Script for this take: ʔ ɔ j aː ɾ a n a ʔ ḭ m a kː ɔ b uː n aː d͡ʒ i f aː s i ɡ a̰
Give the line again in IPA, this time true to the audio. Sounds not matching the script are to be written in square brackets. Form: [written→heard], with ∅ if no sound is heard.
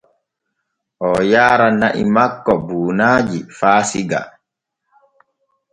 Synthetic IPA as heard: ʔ ɔ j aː ɾ a n a ʔ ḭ m a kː ɔ b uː n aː d͡ʒ i f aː s i ɡ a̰